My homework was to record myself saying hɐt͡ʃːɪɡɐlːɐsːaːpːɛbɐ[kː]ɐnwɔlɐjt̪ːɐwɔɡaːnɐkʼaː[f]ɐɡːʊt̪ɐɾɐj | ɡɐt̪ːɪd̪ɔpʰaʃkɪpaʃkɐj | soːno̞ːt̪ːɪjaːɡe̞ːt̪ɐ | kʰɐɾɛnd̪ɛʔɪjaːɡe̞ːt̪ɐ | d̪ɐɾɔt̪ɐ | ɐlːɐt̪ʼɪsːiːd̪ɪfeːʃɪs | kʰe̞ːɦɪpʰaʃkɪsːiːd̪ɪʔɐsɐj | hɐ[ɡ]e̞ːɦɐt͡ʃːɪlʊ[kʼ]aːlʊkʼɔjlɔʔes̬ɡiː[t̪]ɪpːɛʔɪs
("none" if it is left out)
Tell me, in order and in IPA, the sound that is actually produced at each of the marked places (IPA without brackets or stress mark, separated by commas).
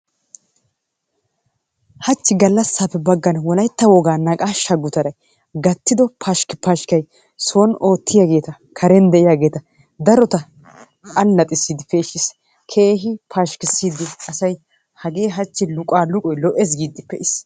ɡː, ʃ, ɡ, kʼ, d̪